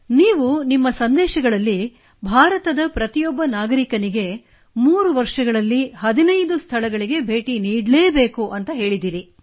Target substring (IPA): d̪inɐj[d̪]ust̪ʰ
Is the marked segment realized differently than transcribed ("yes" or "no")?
no